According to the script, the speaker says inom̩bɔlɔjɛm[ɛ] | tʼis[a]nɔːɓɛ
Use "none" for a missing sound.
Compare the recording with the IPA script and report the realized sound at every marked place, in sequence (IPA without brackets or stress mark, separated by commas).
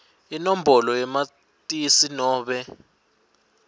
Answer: a, i